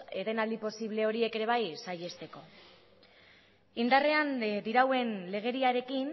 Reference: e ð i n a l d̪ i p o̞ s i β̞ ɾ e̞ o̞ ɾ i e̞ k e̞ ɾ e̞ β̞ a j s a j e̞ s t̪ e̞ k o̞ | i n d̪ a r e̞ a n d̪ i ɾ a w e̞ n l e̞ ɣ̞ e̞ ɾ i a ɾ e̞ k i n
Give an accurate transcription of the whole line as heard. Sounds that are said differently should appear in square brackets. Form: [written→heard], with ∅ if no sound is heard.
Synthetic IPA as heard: e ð [i→e] n a l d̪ i p o̞ s i β̞ [ɾ→l] e̞ o̞ ɾ i e̞ k e̞ ɾ e̞ β̞ a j s a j e̞ s t̪ e̞ k o̞ | i n d̪ a r e̞ a n d̪ i ɾ a w e̞ n l e̞ ɣ̞ e̞ ɾ i a ɾ e̞ k i n